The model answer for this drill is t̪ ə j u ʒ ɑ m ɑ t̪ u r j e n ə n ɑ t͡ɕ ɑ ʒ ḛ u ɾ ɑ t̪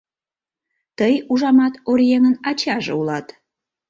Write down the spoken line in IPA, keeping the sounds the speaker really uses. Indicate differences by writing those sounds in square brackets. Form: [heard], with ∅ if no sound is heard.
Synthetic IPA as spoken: t̪ ə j u ʒ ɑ m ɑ t̪ [o] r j e [ŋ] ə n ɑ t͡ɕ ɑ ʒ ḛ u [l] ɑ t̪